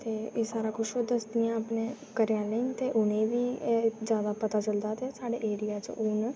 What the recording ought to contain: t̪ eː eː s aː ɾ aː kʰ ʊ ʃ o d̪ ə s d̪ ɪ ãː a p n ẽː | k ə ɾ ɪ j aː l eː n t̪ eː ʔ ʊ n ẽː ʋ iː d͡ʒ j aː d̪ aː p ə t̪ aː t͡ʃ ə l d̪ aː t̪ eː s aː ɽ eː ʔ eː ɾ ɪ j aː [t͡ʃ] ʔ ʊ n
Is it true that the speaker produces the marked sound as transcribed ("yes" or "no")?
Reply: yes